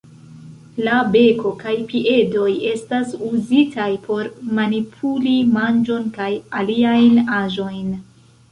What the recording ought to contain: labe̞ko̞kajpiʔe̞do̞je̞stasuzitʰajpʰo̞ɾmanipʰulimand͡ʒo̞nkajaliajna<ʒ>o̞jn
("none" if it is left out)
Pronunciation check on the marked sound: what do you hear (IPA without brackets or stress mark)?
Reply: ʒ